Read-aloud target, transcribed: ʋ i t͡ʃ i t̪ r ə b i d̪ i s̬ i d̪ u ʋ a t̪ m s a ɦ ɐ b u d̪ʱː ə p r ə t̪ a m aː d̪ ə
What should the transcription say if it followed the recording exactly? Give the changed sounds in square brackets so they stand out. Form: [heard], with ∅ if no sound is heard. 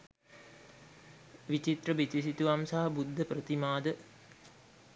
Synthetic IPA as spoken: ʋ i t͡ʃ i t̪ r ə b i [t̪] i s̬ i [t̪] u ʋ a [∅] m s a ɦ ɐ b u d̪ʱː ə p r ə t̪ [i] m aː d̪ ə